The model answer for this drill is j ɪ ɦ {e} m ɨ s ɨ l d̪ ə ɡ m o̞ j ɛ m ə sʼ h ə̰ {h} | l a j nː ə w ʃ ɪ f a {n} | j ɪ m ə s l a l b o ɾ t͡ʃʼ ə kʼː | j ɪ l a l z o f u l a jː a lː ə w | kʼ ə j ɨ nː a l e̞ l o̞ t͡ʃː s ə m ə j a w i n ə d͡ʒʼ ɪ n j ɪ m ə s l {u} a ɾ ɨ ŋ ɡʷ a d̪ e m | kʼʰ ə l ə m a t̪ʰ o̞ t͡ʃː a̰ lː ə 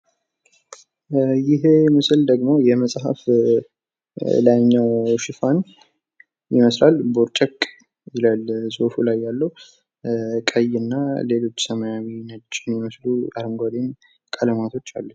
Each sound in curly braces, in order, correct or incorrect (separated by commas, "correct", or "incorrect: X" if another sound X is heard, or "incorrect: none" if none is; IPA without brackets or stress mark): correct, incorrect: f, correct, correct